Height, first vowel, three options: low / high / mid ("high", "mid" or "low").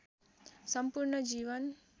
mid